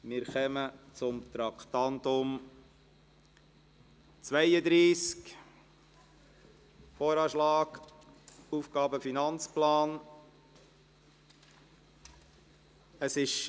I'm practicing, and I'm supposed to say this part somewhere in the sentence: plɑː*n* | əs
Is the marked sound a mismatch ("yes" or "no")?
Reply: no